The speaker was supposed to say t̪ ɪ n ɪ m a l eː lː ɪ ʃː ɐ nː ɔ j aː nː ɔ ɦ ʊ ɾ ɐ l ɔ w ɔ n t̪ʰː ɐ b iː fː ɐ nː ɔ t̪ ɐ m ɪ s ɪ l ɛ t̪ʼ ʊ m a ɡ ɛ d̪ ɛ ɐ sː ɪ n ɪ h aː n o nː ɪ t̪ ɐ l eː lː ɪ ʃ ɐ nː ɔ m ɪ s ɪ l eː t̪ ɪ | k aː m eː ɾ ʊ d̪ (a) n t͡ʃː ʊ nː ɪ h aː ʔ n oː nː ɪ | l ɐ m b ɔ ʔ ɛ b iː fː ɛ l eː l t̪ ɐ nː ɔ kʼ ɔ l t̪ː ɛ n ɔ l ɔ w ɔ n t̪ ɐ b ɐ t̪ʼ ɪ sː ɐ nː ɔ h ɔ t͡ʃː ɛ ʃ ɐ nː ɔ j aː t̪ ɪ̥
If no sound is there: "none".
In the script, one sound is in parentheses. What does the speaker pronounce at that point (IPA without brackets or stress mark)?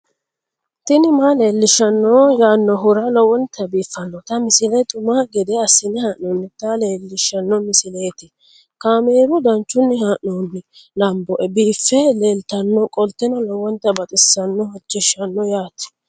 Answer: ɐ